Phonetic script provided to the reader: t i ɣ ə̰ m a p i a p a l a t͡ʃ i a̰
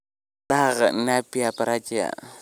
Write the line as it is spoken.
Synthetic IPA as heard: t a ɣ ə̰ n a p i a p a ɾ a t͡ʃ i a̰